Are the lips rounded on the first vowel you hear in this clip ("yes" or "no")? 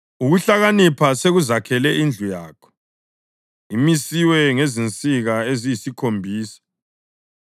yes